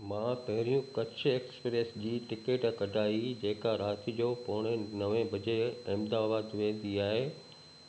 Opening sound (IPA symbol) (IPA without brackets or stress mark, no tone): m